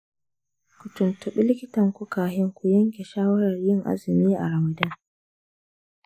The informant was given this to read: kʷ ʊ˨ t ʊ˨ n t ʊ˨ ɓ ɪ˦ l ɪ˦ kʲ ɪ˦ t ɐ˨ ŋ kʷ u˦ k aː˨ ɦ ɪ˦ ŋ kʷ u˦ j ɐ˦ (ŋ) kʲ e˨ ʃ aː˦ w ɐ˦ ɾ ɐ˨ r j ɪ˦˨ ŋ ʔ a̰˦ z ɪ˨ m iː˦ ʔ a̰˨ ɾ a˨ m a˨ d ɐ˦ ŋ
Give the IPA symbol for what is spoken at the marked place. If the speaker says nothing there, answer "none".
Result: ŋ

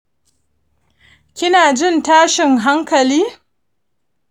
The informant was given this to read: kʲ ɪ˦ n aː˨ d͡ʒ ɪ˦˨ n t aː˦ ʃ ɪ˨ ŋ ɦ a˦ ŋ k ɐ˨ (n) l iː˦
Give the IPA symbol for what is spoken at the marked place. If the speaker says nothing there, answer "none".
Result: none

